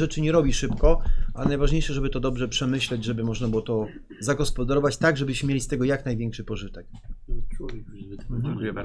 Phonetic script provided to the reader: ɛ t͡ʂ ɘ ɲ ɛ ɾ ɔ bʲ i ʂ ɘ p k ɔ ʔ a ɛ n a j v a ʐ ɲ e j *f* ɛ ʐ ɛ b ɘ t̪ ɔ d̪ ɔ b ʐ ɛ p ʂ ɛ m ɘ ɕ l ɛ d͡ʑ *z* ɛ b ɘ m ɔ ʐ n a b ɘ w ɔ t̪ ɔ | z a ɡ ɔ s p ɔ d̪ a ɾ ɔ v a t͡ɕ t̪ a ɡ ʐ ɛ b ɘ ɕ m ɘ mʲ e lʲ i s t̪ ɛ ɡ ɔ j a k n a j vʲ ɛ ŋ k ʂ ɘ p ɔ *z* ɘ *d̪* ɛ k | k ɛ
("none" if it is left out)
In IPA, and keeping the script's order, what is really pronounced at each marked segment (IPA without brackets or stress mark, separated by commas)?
ʂ, ʐ, ʐ, t̪